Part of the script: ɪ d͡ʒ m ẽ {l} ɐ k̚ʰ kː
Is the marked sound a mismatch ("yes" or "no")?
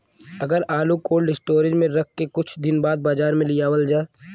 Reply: yes